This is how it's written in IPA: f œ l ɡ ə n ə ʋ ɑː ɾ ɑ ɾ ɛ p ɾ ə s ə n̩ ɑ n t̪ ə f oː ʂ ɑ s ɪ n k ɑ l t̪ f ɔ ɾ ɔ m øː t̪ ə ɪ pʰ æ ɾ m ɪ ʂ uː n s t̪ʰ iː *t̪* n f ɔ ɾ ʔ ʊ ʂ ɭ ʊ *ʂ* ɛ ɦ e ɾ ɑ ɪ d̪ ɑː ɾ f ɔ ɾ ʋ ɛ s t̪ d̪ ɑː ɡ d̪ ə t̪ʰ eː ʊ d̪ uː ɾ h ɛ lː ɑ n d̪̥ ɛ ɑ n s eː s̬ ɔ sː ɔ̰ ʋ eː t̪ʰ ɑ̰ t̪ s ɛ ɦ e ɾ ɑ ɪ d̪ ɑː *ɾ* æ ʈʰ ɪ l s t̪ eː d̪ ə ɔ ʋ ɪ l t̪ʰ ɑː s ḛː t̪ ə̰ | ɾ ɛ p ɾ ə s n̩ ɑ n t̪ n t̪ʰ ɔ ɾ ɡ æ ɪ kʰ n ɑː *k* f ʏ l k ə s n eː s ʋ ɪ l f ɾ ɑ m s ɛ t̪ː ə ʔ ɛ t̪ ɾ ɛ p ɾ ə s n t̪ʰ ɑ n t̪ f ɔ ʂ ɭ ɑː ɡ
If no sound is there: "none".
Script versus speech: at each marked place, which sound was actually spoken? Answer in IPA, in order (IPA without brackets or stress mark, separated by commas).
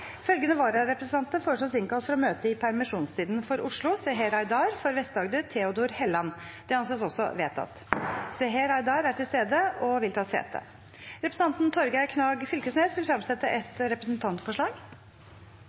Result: d̪, s, ɾ, ɡ